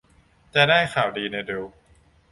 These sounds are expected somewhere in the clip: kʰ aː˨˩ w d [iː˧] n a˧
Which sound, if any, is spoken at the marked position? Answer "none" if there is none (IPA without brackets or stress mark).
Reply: iː˧